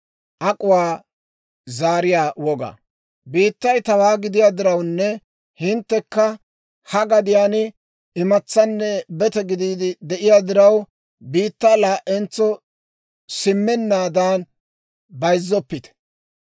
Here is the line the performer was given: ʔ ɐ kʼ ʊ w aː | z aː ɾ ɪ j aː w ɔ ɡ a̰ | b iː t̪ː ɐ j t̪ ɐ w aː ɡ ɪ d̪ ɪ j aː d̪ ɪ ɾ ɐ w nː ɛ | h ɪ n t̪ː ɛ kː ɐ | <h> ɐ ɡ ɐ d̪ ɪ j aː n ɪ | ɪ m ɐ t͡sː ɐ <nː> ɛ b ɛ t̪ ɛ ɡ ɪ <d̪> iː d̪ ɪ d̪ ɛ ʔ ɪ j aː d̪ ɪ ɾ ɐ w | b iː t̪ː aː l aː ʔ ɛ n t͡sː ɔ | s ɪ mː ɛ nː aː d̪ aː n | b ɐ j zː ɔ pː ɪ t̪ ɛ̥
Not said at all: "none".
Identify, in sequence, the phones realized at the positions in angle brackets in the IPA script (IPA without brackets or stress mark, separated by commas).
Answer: h, nː, d̪